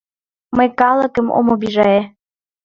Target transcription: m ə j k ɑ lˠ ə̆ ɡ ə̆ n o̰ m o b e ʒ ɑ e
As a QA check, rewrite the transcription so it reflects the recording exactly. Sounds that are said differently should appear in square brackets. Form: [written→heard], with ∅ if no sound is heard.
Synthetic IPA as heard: m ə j k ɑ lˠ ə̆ [ɡ→k] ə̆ [n→m] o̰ m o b [e→i] ʒ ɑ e